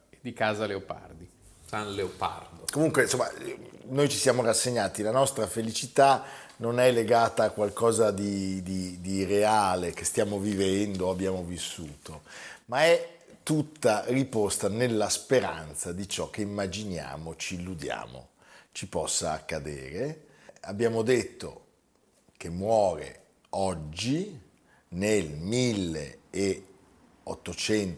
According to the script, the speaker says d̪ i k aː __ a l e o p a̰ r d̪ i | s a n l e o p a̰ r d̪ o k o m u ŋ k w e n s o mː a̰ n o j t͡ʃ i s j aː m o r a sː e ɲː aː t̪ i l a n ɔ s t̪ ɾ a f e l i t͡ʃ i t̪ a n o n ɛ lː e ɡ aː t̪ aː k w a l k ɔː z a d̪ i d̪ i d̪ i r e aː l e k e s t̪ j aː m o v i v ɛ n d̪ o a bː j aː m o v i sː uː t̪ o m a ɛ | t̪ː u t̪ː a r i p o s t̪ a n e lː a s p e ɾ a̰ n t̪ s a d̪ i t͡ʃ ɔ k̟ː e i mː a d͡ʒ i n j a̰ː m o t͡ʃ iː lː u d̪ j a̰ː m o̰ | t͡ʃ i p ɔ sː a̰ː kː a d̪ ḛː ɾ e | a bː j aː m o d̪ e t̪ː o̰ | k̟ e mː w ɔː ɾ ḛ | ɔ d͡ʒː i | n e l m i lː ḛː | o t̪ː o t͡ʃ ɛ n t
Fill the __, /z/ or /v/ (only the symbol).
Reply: z